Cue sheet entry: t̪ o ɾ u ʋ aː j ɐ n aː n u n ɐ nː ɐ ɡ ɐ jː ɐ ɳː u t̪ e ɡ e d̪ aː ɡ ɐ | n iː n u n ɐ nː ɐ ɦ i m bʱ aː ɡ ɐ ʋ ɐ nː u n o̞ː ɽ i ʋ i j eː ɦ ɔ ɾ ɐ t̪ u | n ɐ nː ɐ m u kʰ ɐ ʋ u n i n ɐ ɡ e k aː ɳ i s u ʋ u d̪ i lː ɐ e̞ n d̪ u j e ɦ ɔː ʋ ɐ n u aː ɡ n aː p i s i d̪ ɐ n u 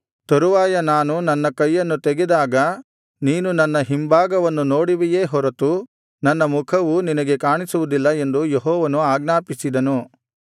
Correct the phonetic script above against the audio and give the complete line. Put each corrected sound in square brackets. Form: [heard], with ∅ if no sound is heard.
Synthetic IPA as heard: t̪ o ɾ u ʋ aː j ɐ n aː n u n ɐ nː ɐ [k] ɐ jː ɐ [nː] u t̪ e ɡ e d̪ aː ɡ ɐ | n iː n u n ɐ nː ɐ ɦ i m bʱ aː ɡ ɐ ʋ ɐ nː u n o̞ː ɽ i ʋ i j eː ɦ ɔ ɾ ɐ t̪ u | n ɐ nː ɐ m u kʰ ɐ ʋ u n i n ɐ ɡ e k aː ɳ i s u ʋ u d̪ i lː ɐ e̞ n d̪ u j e ɦ ɔː ʋ ɐ n u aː ɡ n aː p i s i d̪ ɐ n u

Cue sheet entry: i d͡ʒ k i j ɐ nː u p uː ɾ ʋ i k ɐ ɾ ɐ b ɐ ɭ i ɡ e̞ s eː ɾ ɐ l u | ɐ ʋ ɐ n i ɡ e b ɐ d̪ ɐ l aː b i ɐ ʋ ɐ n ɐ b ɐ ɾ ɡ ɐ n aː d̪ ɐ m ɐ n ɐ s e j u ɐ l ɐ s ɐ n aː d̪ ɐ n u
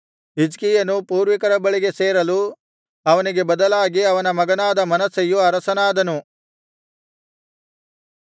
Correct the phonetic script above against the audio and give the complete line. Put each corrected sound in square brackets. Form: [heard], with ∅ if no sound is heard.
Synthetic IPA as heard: i d͡ʒ k i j ɐ [n] u p uː ɾ ʋ i k ɐ ɾ ɐ b ɐ ɭ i ɡ e̞ s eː ɾ ɐ l u | ɐ ʋ ɐ n i ɡ e b ɐ d̪ ɐ l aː [ɡ] i ɐ ʋ ɐ n ɐ [m] ɐ [∅] ɡ ɐ n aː d̪ ɐ m ɐ n ɐ s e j u ɐ [ɾ] ɐ s ɐ n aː d̪ ɐ n u

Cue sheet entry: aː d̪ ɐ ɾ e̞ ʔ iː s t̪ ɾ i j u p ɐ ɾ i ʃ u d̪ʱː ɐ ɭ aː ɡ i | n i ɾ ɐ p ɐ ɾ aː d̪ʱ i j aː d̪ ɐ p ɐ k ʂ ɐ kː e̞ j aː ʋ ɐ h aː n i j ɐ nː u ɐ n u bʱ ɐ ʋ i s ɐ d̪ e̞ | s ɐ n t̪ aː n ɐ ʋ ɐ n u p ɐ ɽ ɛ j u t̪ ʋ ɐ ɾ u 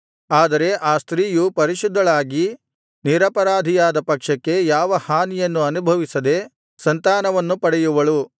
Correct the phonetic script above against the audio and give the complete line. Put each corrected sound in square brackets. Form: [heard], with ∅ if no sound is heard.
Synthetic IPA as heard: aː d̪ ɐ ɾ e̞ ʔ [aː] s t̪ ɾ [iː] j u p ɐ ɾ i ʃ u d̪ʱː ɐ ɭ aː ɡ i | n i ɾ ɐ p ɐ ɾ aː d̪ʱ i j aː d̪ ɐ p ɐ k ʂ ɐ kː e̞ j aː ʋ ɐ h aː n i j ɐ nː u ɐ n u bʱ ɐ ʋ i s ɐ d̪ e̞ | s ɐ n t̪ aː n ɐ ʋ ɐ [nː] u p ɐ ɽ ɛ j u [∅] ʋ ɐ [ɭ] u

